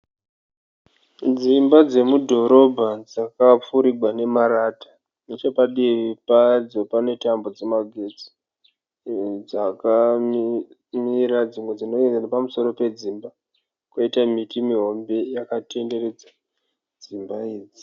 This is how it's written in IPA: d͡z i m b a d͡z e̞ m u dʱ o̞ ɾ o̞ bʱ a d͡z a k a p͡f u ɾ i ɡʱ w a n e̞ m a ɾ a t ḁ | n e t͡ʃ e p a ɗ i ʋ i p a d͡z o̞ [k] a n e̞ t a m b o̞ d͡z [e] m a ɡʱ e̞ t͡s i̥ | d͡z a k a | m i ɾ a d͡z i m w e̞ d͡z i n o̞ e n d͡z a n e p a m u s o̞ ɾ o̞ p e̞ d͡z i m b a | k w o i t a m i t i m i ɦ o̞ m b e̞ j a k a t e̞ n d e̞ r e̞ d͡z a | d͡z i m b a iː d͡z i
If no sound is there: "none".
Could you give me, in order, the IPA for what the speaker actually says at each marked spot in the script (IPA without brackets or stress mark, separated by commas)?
p, e